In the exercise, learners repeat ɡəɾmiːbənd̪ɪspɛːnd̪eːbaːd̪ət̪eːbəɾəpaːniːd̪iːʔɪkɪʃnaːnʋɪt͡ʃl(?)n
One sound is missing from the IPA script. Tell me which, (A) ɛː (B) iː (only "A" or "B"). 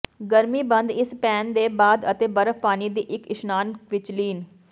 B